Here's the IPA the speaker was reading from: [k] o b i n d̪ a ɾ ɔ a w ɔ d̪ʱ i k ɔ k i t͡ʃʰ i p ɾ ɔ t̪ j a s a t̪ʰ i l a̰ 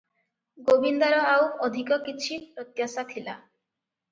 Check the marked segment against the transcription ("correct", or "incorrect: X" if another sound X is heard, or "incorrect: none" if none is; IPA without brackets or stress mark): incorrect: ɡ